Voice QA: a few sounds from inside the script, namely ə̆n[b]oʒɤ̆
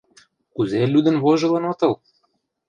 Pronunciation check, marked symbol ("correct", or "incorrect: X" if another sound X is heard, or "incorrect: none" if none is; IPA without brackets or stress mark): incorrect: β